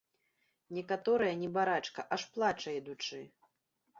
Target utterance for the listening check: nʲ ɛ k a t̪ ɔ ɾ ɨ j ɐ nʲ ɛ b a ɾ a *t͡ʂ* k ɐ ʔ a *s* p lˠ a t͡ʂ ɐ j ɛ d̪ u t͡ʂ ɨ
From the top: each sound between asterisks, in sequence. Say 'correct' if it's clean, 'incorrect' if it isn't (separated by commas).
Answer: correct, incorrect